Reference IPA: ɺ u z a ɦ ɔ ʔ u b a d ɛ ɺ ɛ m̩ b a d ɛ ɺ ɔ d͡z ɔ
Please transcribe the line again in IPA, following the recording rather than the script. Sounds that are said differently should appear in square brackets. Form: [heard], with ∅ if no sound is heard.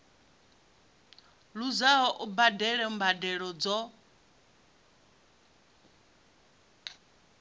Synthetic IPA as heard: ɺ u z a ɦ ɔ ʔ u b a d ɛ ɺ ɛ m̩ b a d ɛ ɺ ɔ d͡z ɔ